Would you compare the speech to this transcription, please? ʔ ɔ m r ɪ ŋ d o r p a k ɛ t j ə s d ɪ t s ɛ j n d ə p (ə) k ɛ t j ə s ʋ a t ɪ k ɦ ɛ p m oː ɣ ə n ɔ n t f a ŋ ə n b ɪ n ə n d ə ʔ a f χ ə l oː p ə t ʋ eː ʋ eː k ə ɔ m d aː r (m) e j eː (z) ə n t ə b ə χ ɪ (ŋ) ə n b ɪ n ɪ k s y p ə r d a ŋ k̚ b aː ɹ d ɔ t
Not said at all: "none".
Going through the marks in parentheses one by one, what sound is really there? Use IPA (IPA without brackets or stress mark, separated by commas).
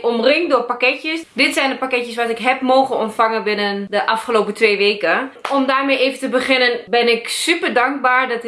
a, m, v, n